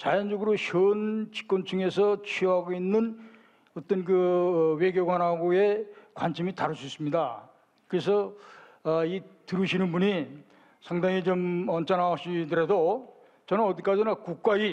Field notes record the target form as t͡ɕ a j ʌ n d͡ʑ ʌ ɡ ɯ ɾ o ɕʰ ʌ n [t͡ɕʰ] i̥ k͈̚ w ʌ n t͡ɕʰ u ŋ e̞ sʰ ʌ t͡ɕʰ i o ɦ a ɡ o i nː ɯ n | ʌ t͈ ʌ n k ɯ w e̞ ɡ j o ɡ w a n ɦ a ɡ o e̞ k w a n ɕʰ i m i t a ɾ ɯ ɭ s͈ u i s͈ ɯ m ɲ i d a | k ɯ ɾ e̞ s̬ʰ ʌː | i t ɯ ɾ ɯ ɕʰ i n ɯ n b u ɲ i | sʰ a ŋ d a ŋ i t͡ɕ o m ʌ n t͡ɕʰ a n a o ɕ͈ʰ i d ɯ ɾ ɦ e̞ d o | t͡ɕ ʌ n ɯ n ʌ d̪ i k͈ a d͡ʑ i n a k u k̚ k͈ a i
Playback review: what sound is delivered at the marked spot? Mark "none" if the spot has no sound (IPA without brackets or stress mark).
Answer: t͡ɕ